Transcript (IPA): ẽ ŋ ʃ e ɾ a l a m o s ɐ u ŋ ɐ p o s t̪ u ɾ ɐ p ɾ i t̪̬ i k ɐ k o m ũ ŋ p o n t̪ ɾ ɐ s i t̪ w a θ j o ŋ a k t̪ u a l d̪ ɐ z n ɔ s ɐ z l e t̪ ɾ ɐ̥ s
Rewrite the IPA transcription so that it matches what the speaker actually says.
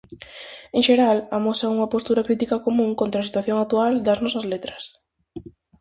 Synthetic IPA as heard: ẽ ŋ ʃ e ɾ a l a m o s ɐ u ŋ ɐ p o s t̪ u ɾ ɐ k ɾ i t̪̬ i k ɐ k o m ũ ŋ k o n t̪ ɾ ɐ s i t̪ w a θ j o ŋ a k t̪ u a l d̪ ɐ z n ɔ s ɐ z l e t̪ ɾ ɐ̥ s

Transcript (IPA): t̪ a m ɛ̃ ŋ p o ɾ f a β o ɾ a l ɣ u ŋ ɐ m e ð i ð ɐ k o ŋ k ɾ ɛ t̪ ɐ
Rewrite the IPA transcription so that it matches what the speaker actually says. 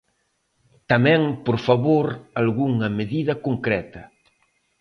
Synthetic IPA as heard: t̪ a m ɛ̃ ŋ p o ɾ f a β o ɾ a l ɣ u ŋ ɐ m e ð i ð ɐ k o ŋ k ɾ ɛ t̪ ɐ

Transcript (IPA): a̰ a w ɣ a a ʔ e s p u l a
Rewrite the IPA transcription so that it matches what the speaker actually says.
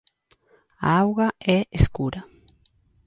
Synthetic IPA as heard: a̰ a w ɣ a ɛ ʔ e s k u ɾ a

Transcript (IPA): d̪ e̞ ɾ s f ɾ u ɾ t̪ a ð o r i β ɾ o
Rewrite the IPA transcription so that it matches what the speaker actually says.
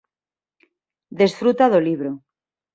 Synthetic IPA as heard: d̪ e̞ s f ɾ u t̪ a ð o l i β ɾ o

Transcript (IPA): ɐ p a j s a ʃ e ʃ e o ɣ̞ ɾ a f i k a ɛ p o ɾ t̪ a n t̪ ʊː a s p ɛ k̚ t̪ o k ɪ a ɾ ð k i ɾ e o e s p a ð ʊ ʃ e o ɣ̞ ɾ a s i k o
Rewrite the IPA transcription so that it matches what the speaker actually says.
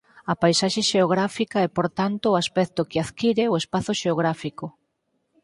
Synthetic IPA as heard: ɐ p a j s a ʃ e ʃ e o ɣ̞ ɾ a f i k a ɛ p o ɾ t̪ a n t̪ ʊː a s p ɛ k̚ t̪ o k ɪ a ð k i ɾ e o e s p a θ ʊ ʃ e o ɣ̞ ɾ a f i k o

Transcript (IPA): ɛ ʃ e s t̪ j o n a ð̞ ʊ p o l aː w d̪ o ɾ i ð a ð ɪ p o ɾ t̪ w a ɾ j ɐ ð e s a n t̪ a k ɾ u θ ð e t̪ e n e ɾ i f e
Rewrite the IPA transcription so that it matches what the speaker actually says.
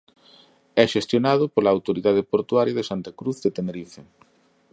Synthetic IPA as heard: ɛ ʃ e s t̪ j o n a ð̞ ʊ p o l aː w t̪ o ɾ i ð a ð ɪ p o ɾ t̪ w a ɾ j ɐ ð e s a n t̪ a k ɾ u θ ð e t̪ e n e ɾ i f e

